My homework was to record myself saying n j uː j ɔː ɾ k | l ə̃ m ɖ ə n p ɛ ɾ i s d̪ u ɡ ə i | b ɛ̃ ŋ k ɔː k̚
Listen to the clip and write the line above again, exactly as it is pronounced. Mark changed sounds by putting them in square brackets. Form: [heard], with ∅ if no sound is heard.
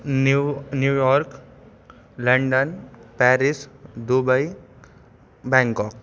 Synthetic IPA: n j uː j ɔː ɾ k | l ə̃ [ɳ] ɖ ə n p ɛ ɾ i s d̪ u [b] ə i | b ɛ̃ ŋ k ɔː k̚